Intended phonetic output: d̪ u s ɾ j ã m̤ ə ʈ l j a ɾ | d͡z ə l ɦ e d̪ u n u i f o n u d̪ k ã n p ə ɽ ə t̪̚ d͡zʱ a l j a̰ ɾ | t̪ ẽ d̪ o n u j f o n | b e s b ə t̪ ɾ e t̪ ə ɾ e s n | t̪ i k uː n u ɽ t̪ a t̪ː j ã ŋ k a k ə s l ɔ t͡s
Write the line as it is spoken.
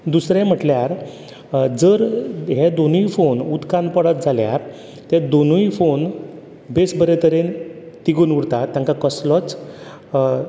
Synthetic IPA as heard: d̪ u s ɾ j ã m̤ ə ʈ l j a ɾ | d͡z ə ɾ ɦ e d̪ o n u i f o n u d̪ k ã n p ə ɽ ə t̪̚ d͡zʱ a l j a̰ ɾ | t̪ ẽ d̪ o n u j f o n | b e s b ə ɾ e t̪ ə ɾ e n | t̪ i ɡ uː n u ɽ t̪ a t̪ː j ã ŋ k a k ə s l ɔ t͡s